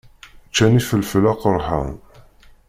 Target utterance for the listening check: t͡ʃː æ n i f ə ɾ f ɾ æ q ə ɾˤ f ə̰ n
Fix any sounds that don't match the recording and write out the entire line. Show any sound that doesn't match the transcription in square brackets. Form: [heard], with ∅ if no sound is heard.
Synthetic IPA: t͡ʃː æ n i f ə [l] f [l] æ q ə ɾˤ [ħ] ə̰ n